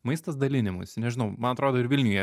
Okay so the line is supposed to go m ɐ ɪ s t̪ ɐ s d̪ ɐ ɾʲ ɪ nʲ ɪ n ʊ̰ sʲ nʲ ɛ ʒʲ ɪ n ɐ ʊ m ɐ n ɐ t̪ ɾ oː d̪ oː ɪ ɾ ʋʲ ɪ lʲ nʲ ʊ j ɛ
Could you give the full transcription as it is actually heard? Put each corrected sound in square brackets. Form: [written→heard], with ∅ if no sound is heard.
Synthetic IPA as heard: m ɐ ɪ s t̪ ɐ s d̪ ɐ [ɾʲ→lʲ] ɪ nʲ ɪ [n→m] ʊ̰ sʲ nʲ ɛ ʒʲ ɪ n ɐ ʊ m ɐ n ɐ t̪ ɾ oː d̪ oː ɪ ɾ ʋʲ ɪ lʲ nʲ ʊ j ɛ